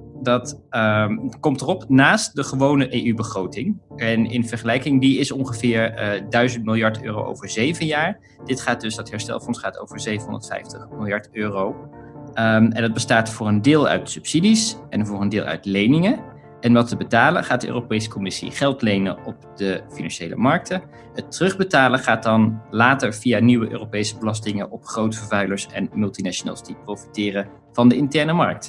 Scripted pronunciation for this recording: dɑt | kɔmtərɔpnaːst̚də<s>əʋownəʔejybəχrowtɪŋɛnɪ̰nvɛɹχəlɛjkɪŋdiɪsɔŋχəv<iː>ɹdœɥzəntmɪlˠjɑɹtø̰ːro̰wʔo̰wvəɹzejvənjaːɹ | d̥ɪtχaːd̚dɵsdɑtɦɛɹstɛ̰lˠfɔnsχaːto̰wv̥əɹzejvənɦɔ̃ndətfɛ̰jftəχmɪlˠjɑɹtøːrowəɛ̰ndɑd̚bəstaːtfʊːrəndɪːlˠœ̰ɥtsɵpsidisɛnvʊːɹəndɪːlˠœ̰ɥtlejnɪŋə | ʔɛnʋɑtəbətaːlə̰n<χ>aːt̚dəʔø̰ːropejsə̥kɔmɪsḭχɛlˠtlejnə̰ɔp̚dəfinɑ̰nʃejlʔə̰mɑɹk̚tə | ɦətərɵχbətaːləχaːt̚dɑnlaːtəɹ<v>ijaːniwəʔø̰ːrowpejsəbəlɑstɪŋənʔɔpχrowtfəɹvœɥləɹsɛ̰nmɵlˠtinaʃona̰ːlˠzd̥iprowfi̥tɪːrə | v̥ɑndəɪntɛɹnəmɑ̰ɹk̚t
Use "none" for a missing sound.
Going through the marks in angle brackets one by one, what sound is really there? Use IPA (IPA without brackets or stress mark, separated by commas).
χ, ɪː, χ, v